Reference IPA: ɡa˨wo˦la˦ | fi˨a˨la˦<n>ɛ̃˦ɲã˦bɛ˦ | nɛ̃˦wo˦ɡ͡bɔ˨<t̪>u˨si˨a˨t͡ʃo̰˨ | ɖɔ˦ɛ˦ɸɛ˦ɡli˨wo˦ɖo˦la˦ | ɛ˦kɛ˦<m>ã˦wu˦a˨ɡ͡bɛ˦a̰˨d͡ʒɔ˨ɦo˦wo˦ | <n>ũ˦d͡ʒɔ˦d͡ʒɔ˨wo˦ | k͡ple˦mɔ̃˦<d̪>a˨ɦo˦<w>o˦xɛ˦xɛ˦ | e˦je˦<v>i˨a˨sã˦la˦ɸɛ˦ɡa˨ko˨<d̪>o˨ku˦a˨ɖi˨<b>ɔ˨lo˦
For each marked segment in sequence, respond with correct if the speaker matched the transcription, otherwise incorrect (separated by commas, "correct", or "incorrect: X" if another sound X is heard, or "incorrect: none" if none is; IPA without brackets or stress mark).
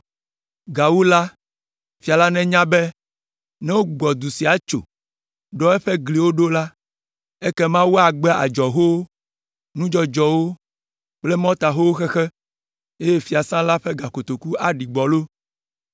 correct, incorrect: d̪, correct, correct, incorrect: t̪, correct, incorrect: f, incorrect: t̪, incorrect: ɡ͡b